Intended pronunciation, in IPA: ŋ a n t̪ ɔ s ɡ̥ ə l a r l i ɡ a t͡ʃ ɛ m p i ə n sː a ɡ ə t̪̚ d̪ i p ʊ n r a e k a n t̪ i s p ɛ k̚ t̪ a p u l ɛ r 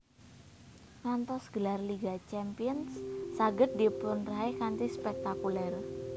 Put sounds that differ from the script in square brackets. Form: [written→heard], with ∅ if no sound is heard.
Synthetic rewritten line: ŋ a n t̪ ɔ s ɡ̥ ə l a r l i ɡ a t͡ʃ ɛ m p i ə n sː a ɡ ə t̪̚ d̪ i p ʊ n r a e k a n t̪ i s p ɛ k̚ t̪ a [p→k] u l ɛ r

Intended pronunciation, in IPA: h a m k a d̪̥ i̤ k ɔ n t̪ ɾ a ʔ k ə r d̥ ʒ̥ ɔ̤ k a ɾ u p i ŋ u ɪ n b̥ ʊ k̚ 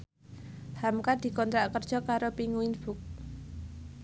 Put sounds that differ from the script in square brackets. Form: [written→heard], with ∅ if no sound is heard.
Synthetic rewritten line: h a m k a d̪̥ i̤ k ɔ n t̪ ɾ a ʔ k ə r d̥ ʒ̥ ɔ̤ k a ɾ [u→o] p i ŋ u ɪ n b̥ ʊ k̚

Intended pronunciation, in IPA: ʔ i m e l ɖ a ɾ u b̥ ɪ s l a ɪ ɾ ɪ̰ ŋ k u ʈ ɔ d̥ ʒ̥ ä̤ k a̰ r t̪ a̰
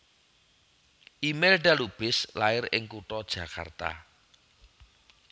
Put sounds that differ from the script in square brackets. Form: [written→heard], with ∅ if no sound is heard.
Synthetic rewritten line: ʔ i m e l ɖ a [ɾ→l] u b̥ ɪ s l a ɪ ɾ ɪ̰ ŋ k u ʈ ɔ d̥ ʒ̥ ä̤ k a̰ r t̪ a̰

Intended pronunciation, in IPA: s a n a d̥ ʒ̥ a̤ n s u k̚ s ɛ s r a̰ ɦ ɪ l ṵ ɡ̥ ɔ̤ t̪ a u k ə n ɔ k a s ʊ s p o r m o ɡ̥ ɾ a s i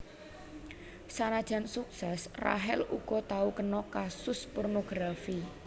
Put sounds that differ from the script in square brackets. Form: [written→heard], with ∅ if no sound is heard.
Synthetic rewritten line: s a n a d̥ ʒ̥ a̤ n s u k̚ s ɛ s r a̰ ɦ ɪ l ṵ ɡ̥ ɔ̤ t̪ a u k ə n ɔ k a s ʊ s p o r [m→n] o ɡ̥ ɾ a [s→f] i

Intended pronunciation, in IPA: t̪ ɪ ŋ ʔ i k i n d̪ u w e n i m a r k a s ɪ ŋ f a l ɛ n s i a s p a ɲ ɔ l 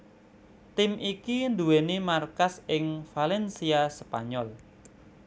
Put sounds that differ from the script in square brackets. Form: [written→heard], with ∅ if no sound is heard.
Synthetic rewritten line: t̪ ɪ [ŋ→m] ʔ i k i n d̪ u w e n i m a r k a s ɪ ŋ f a l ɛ n s i a s p a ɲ ɔ l

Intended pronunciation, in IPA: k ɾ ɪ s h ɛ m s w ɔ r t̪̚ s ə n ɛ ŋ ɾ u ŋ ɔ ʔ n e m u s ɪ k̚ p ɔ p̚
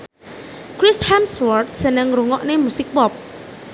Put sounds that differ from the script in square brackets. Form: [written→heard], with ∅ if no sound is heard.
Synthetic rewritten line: k ɾ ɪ s h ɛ m s w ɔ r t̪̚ s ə n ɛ ŋ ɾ u ŋ ɔ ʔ n e m u s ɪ k̚ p ɔ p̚

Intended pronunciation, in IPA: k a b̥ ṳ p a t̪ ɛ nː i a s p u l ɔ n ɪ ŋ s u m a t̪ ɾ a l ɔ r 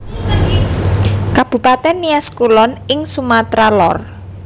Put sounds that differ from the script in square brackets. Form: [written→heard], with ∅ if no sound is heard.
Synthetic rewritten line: k a b̥ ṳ p a t̪ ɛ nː i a s [p→k] u l ɔ n ɪ ŋ s u m a t̪ ɾ a l ɔ r

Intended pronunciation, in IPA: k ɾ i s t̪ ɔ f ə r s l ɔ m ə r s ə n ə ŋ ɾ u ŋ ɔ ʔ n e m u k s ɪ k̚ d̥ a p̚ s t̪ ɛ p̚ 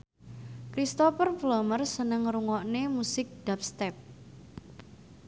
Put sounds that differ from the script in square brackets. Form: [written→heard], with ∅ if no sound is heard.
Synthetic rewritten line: k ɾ i s t̪ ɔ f ə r [s→f] l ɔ m ə r s ə n ə ŋ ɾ u ŋ ɔ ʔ n e m u [k→∅] s ɪ k̚ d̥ a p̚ s t̪ ɛ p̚

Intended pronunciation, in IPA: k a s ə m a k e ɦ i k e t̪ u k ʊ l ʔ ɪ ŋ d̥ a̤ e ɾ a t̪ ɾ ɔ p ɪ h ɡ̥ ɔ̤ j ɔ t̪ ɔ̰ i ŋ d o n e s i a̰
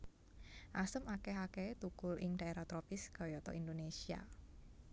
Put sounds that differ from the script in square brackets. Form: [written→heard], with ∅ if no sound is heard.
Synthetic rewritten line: [k→ʔ] a s ə m a k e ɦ [i→a] k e t̪ u k ʊ l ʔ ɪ ŋ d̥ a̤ e ɾ a t̪ ɾ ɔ p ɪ [h→s] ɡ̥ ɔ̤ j ɔ t̪ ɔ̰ i [ŋ→n] d o n e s i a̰

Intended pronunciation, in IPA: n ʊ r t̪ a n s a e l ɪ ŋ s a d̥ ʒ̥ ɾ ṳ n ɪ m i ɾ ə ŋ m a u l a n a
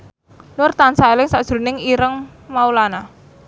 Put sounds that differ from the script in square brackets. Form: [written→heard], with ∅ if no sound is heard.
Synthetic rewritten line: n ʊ r t̪ a n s a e l ɪ ŋ s a d̥ ʒ̥ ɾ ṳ n ɪ [m→ŋ] i ɾ ə ŋ m a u l a n a

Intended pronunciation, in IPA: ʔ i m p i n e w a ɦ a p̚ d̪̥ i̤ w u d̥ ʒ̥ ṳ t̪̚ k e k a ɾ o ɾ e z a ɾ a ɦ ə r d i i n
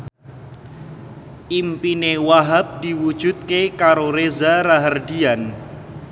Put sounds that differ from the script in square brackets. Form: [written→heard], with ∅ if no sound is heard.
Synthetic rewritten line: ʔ i m p i n e w a ɦ a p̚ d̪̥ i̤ w u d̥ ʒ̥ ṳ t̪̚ k e k a ɾ o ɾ e z a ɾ a ɦ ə r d i [i→a] n

